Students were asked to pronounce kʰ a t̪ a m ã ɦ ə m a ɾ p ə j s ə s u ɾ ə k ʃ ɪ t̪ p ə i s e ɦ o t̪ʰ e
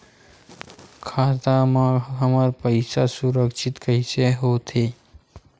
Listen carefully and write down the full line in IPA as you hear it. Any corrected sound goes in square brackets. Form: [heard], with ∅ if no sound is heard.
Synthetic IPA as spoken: kʰ a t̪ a m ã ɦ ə m a ɾ p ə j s [a] s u ɾ ə k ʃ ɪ t̪ [k] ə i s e ɦ o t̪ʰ e